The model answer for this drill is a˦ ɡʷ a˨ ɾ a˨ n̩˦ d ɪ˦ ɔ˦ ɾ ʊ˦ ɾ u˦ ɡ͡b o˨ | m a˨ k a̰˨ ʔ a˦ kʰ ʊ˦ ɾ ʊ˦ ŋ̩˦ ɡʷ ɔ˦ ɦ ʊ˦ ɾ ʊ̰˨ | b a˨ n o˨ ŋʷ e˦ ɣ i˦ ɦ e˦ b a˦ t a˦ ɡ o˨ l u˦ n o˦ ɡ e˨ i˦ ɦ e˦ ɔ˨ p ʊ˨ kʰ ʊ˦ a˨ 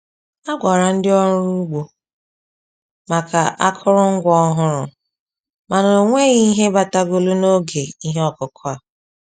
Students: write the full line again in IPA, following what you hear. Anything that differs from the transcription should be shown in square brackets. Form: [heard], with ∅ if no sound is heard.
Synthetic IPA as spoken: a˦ ɡʷ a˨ ɾ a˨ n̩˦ d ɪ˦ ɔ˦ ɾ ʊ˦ ɾ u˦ ɡ͡b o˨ | m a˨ k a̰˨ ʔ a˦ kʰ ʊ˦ ɾ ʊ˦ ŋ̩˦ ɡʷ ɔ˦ ɦ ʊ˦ ɾ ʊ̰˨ | [m] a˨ n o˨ ŋʷ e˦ ɣ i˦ ɦ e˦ b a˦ t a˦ ɡ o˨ l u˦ n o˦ ɡ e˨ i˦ ɦ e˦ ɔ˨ [k] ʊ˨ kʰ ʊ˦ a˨